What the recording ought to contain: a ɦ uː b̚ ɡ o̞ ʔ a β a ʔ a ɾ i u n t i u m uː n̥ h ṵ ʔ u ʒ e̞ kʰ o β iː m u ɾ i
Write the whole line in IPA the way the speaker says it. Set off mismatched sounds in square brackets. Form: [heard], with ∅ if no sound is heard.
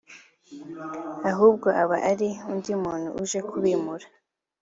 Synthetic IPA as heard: a ɦ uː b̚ ɡ o̞ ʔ a β a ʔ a ɾ i u n [d] i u m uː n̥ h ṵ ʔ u ʒ e̞ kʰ [u] β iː m u ɾ [a]